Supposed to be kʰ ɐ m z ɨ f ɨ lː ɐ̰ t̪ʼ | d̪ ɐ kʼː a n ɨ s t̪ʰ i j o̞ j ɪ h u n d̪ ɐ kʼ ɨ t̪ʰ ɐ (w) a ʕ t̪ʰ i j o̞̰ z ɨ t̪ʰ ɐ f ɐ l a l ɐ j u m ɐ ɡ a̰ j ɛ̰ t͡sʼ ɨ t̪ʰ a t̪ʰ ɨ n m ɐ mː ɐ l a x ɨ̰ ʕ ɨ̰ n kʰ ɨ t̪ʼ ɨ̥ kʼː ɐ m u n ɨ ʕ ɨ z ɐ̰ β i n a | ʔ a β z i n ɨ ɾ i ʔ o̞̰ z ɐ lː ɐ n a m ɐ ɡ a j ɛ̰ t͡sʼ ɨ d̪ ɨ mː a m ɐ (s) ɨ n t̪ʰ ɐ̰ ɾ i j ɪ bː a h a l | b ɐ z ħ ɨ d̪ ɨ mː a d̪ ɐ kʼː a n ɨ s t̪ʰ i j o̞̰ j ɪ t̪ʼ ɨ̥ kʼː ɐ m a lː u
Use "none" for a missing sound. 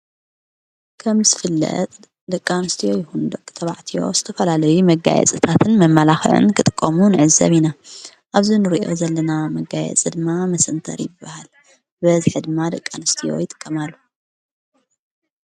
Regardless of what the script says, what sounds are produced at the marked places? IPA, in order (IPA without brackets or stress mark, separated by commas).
β, s